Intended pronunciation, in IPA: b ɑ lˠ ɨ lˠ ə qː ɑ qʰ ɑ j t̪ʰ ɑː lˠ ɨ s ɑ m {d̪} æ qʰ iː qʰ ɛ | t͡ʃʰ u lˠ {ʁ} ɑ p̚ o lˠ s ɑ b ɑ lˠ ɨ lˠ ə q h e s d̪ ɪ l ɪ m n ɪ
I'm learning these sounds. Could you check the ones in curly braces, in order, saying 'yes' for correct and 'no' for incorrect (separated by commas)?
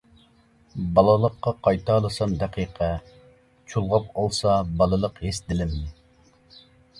yes, yes